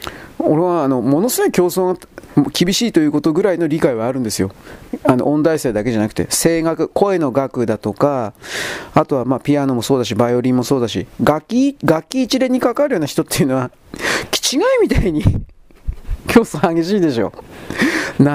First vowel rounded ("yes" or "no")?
yes